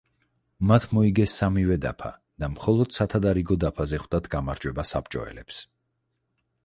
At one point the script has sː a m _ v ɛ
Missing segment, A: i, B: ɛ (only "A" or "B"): A